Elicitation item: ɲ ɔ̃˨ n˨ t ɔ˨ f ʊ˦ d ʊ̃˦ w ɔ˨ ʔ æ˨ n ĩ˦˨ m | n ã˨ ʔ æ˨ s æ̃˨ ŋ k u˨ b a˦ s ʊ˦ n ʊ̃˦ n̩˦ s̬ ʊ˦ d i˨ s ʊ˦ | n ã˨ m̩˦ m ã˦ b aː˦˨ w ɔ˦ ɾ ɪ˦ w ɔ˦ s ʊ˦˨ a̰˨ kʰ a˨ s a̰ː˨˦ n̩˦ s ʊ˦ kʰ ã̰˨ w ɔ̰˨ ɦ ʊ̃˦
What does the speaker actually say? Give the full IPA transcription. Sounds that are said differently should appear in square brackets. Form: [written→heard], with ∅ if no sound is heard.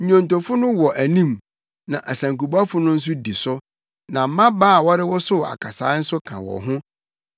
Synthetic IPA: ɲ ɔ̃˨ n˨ t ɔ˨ f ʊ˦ [d→n] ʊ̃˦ w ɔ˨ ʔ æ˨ n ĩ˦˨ m | n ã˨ ʔ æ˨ s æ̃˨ ŋ k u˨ b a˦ [s→f] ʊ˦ n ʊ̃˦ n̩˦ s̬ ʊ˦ d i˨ s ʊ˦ | n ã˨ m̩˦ m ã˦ b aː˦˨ w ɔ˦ ɾ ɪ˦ w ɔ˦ s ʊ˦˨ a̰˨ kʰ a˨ s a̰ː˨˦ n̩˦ s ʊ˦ kʰ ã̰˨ w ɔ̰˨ ɦ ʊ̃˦